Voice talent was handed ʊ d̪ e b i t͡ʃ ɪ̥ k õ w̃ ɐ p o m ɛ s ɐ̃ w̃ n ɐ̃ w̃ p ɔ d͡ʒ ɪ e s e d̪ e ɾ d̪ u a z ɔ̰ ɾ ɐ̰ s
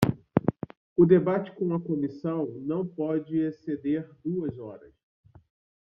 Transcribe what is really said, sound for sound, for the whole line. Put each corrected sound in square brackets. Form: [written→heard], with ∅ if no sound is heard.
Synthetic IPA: ʊ d̪ e b [i→a] t͡ʃ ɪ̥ k õ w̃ ɐ [p→k] o m [ɛ→i] s ɐ̃ w̃ n ɐ̃ w̃ p ɔ d͡ʒ ɪ e s e d̪ e ɾ d̪ u [a→ɐ] z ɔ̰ ɾ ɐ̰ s